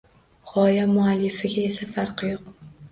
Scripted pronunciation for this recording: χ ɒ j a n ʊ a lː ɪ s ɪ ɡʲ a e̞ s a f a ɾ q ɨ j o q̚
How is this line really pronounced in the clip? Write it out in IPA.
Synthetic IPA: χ ɒ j a m ʊ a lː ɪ f ɪ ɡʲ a e̞ s a f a ɾ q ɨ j o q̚